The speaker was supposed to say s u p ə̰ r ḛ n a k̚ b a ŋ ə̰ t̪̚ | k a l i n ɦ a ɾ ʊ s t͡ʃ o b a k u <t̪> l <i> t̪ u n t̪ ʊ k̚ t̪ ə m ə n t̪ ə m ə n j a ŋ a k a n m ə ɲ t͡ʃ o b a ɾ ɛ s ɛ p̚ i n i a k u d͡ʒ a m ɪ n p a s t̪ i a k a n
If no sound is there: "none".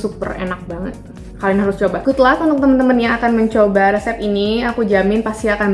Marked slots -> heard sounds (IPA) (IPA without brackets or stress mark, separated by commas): t̪, a